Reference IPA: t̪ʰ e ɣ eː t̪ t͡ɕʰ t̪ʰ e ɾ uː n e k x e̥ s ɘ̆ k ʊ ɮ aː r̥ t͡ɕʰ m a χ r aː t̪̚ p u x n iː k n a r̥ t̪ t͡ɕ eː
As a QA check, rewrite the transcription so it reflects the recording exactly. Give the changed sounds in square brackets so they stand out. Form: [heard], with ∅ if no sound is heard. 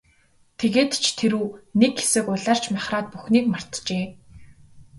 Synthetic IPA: t̪ʰ e ɣ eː t̪ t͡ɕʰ t̪ʰ e ɾ uː n e k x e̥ s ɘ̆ k ʊ ɮ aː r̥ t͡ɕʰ m a χ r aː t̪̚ p u x n iː k [m] a r̥ t̪ t͡ɕ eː